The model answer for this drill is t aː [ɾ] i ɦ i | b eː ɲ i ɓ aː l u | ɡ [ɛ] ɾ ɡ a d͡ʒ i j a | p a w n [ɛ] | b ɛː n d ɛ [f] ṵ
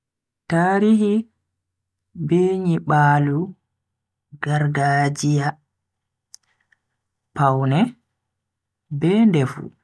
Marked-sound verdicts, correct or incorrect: correct, incorrect: a, correct, correct

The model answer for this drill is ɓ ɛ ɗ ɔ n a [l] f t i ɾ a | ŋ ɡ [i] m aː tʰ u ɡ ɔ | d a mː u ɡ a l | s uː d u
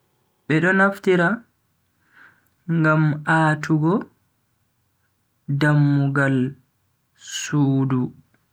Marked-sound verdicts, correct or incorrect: incorrect: none, incorrect: a

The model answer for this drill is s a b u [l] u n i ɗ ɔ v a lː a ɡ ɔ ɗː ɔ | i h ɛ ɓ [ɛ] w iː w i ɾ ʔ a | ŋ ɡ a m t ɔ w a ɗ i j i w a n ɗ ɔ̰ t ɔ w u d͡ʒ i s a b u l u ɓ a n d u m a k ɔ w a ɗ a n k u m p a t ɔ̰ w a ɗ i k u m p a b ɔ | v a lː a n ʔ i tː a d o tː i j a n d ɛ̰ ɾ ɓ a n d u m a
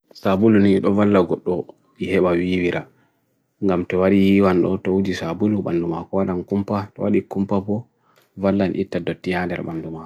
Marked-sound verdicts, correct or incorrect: correct, incorrect: a

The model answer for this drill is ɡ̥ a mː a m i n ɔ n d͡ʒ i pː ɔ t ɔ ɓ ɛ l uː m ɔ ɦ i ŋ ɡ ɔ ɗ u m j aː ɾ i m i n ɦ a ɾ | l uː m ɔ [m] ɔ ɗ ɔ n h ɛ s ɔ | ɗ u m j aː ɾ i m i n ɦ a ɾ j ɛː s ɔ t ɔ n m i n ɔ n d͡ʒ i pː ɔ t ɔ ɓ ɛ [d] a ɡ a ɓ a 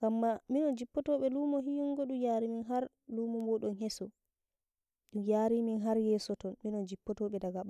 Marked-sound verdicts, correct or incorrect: correct, correct

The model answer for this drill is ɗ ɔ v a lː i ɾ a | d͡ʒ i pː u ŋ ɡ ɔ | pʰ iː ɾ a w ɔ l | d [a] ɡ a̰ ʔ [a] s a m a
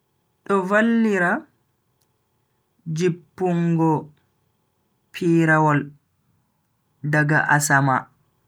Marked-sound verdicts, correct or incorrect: correct, correct

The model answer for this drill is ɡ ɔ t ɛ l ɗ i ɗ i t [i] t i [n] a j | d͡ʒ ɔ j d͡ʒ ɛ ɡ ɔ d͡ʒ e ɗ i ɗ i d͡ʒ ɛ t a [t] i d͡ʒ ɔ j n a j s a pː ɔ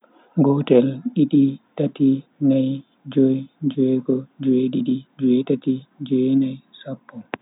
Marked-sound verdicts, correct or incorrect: incorrect: a, correct, correct

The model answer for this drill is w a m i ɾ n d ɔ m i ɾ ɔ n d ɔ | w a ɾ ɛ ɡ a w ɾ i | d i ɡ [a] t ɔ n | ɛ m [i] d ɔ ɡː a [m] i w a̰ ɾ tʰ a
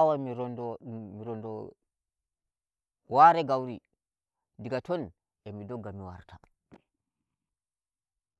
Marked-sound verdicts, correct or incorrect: correct, correct, correct

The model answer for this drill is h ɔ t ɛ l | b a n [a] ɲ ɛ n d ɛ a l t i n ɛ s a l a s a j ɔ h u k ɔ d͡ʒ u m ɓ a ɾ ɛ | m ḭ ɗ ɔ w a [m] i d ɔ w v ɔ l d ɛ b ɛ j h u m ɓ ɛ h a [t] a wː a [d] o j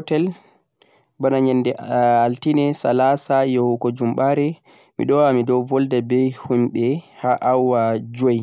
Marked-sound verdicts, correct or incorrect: correct, correct, incorrect: ʔ, incorrect: d͡ʒ

